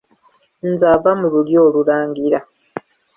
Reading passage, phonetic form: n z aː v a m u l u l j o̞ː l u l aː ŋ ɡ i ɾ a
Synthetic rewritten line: n z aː v a m u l u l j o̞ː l u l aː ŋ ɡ i ɾ a